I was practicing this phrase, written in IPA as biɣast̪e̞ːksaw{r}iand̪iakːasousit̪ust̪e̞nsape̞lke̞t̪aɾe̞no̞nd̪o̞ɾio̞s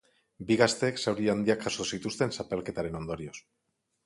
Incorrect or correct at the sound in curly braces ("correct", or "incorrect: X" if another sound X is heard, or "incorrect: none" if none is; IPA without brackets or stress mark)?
incorrect: ɾ